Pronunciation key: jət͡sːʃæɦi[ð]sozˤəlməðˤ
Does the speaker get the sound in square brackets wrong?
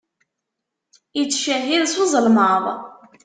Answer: no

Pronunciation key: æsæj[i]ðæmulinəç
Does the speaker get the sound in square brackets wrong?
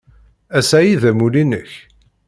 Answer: no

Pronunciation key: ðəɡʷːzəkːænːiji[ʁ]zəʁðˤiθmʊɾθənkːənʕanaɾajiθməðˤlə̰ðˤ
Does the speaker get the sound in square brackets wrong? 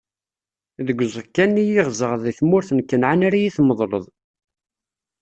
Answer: no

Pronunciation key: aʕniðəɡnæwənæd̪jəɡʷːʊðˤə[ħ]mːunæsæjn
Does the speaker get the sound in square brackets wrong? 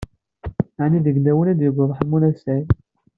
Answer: no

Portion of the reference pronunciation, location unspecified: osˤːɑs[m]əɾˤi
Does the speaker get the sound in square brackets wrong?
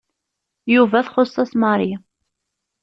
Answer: no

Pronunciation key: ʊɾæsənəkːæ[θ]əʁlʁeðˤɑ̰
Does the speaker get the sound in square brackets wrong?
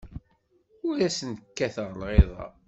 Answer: no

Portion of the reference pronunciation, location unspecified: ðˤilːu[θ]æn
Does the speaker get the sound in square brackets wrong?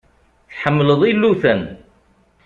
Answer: no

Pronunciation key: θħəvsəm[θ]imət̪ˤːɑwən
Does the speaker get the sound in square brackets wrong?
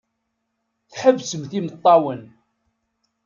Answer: no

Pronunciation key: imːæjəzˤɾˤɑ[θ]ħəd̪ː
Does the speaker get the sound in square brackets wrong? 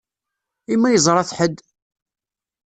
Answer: no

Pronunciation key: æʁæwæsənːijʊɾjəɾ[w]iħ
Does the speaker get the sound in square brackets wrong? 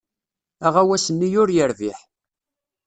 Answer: yes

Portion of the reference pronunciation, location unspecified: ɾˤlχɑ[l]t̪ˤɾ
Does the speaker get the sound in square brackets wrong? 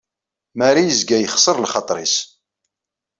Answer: yes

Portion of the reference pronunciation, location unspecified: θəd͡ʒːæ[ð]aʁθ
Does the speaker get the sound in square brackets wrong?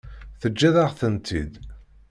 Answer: no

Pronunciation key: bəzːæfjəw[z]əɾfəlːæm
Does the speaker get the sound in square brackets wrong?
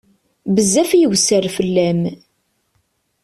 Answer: yes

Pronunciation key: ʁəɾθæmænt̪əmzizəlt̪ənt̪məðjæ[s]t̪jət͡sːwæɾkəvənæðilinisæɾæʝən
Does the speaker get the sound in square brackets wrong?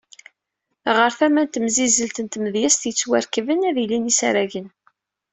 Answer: no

